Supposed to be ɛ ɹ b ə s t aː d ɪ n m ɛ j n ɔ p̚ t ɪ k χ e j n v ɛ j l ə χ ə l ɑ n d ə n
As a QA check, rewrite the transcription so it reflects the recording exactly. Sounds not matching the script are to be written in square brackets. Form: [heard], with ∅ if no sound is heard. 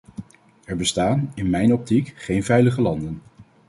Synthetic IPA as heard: ɛ ɹ b ə s t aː [n] ɪ n m ɛ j n ɔ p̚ t [i] k χ e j n v ɛ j l ə χ ə l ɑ n d ə n